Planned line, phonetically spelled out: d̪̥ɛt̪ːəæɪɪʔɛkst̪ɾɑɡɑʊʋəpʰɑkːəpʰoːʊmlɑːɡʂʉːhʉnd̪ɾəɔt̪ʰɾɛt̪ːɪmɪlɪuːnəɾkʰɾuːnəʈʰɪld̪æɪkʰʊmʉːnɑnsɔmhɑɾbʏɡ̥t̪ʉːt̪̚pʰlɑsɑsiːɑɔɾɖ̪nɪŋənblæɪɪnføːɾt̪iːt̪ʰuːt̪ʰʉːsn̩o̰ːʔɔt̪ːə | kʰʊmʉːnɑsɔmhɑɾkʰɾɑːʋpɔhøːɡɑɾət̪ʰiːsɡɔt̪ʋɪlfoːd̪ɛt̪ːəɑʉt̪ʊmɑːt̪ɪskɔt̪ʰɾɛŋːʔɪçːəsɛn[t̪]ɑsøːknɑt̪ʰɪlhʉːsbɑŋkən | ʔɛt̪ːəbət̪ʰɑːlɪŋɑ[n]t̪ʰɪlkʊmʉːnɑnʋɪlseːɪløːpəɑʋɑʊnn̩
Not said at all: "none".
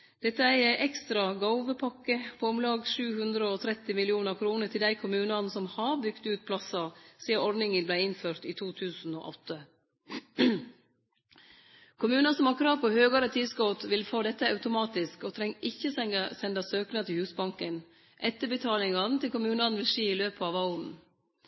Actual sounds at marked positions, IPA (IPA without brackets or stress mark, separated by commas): d̪, n